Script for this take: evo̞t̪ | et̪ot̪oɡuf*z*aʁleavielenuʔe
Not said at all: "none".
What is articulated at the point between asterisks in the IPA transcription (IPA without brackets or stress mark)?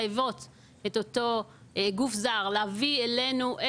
z